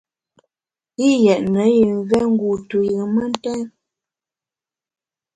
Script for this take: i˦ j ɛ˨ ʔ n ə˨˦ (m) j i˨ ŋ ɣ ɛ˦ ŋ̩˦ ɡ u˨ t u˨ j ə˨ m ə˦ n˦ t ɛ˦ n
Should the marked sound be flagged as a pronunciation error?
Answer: yes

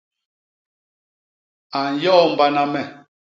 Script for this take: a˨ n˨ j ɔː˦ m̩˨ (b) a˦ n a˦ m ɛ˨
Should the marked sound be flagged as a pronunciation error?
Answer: no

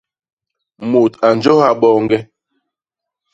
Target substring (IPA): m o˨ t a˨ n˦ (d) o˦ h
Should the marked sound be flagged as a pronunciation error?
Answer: yes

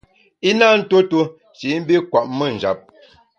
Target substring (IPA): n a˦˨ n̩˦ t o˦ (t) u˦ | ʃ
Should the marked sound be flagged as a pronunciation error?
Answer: no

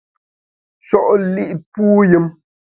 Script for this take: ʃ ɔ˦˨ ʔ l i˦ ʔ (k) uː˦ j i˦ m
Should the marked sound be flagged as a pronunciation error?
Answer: yes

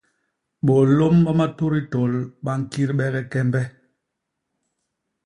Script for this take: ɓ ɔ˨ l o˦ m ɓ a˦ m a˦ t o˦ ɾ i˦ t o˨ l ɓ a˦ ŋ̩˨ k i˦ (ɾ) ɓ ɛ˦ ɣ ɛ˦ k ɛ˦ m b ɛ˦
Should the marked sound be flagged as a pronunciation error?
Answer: no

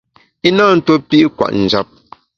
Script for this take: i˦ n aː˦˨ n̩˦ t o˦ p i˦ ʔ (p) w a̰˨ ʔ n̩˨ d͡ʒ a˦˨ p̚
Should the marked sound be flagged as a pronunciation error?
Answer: yes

